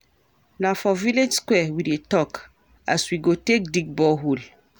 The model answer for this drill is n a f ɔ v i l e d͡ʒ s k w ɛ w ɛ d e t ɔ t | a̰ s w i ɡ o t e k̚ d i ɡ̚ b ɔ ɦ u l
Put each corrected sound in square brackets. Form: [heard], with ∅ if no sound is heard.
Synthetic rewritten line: n a f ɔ v i l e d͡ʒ s k w ɛ w [i] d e t ɔ [k] | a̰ s w i ɡ o t e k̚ d i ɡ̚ b ɔ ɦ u l

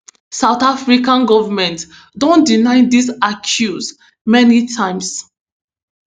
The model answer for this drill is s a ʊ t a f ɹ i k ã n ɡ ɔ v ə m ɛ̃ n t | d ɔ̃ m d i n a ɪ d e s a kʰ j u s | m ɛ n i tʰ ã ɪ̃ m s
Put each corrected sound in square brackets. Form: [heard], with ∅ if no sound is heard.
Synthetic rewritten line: s a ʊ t a f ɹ i k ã n ɡ ɔ v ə m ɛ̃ n t | d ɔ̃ [n] d i n a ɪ d [i] s a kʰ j u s | m ɛ n i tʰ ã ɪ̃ m s

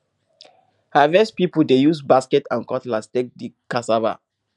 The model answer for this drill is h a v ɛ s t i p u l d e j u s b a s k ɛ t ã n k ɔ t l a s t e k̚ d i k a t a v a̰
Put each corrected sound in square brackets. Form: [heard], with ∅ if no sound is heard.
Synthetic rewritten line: h a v ɛ s [p] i p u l d e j u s b a s k ɛ t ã n k ɔ t l a s t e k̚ d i k a [s] a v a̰

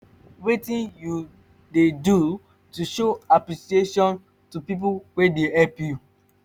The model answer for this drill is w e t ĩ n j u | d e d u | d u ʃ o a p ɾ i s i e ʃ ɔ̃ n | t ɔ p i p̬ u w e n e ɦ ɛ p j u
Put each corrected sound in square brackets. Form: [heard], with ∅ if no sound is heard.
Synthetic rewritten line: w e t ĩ n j u | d e d u | [t] u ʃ o a p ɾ i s i e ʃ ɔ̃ n | t [u] p i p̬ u w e [d] e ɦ ɛ p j u

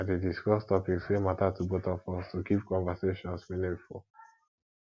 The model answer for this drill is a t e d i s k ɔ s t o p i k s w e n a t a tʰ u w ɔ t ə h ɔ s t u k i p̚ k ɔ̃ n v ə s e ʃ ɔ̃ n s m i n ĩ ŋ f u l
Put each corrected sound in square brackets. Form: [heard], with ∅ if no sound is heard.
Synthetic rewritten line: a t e d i s k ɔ s t [ɔ] p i k s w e [m] a t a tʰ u [b] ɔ t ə [f] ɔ s t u k i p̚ k ɔ̃ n v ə s e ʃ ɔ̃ n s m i n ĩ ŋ f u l

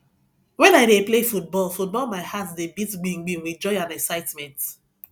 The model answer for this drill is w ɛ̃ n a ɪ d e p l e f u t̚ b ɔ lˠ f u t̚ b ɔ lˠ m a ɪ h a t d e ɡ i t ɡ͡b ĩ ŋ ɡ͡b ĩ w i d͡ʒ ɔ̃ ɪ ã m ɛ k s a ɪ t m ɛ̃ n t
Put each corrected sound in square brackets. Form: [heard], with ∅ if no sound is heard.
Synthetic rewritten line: w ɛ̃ n a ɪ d e p l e f u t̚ b ɔ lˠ f u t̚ b ɔ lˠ m a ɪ h a t d e [b] i t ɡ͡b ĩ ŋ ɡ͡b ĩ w i d͡ʒ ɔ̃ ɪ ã [n] ɛ k s a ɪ t m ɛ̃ n t

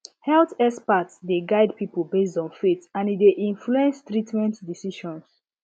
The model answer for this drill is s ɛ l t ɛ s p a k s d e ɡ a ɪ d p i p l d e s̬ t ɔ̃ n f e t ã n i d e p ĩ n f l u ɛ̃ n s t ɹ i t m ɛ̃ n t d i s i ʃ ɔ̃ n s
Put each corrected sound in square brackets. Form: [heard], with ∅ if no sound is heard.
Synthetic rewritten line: [h] ɛ l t ɛ s p a [t] s d e ɡ a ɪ d p i p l [b] e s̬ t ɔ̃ n f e t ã n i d e [ʔ] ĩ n f l u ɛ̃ n s t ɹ i t m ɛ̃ n t d i s i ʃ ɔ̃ n s

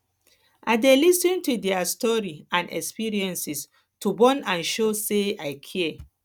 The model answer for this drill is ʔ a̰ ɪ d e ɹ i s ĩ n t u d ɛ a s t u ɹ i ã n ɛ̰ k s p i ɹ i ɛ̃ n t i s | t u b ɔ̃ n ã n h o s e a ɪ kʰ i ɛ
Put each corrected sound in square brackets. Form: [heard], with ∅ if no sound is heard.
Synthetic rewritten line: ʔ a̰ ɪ d e [l] i s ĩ n t u d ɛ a s t [ɔ] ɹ i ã n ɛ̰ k s p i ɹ i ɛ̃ n [s] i s | t u b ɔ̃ n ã n [ʃ] o s e a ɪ kʰ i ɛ

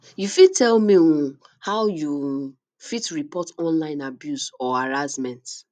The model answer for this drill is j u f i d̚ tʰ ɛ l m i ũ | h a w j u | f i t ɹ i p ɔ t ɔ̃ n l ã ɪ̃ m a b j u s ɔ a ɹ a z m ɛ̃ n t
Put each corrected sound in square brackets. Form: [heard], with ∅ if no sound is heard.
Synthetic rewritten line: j u f i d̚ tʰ ɛ l m i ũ | h a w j u | f i t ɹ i p ɔ t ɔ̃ n l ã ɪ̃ [n] a b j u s ɔ a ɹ a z m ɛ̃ n t

